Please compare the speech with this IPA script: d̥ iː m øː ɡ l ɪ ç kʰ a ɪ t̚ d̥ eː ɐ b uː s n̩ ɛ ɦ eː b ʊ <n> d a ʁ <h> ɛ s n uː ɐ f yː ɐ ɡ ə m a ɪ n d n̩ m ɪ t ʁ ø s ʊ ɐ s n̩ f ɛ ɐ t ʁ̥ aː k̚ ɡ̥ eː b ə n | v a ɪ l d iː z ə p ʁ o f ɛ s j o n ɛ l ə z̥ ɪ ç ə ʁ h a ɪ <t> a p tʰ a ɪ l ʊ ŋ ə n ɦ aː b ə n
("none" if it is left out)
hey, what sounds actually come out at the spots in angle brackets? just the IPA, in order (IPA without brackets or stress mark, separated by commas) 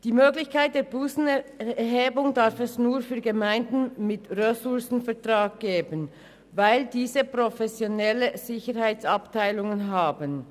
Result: ŋ, f, t͡s